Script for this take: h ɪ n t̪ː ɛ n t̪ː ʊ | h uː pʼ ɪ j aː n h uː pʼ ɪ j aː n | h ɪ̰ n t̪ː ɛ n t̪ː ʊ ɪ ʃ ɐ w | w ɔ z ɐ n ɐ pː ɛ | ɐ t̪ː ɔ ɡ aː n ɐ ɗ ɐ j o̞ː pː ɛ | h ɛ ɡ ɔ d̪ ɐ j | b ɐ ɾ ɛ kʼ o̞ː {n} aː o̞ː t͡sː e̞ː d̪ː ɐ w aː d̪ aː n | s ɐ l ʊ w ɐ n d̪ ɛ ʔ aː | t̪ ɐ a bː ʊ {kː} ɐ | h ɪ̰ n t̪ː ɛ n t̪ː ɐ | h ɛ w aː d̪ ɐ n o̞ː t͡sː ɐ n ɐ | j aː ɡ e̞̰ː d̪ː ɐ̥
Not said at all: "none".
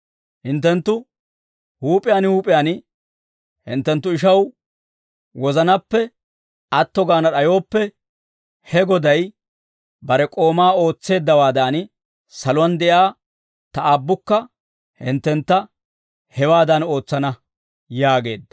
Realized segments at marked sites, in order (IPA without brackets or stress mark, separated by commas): m, kː